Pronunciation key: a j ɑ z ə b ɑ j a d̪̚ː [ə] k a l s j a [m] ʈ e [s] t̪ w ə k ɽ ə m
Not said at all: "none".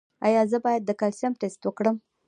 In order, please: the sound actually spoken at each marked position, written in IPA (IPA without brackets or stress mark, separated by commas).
ə, m, s